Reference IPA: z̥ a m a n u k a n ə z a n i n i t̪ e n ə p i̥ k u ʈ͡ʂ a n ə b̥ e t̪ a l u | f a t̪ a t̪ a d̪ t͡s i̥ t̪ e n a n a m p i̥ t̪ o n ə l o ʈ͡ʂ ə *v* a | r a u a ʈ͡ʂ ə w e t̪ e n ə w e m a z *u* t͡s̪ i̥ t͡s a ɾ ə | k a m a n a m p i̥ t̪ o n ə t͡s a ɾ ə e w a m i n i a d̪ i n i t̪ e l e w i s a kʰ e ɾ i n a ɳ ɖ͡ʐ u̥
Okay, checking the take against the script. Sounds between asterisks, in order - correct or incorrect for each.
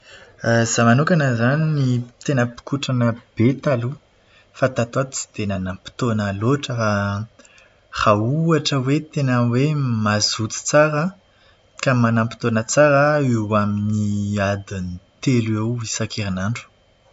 incorrect: f, correct

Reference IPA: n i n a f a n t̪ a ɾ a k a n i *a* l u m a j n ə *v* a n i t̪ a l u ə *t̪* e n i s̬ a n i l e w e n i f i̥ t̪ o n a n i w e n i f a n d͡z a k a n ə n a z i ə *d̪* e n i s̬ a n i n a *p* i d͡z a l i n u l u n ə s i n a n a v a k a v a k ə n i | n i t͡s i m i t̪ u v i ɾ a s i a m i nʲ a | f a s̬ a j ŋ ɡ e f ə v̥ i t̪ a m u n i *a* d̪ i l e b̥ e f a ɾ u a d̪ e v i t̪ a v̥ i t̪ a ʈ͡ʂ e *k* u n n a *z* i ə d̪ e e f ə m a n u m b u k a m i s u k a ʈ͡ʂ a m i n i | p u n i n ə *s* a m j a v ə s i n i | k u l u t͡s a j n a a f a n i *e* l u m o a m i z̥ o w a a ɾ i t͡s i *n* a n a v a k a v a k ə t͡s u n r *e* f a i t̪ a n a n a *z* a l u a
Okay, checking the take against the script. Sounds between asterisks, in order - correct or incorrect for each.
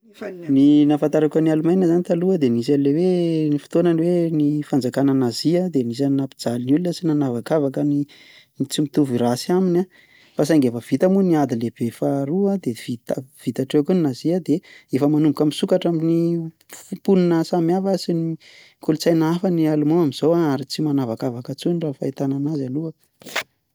correct, incorrect: z, incorrect: d̪, correct, correct, correct, correct, correct, correct, incorrect: a, incorrect: m, incorrect: a, correct

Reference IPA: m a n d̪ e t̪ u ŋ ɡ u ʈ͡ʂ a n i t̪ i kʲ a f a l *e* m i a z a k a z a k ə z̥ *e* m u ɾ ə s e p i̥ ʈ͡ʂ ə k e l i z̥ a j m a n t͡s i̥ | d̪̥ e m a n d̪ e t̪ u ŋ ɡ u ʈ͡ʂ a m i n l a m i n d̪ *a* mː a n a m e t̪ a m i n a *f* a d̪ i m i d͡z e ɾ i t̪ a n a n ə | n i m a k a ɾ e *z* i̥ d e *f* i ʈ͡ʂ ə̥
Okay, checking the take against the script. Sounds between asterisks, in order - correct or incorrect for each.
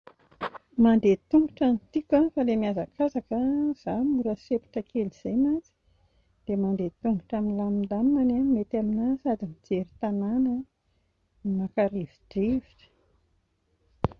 correct, incorrect: a, correct, incorrect: s, incorrect: v, incorrect: v

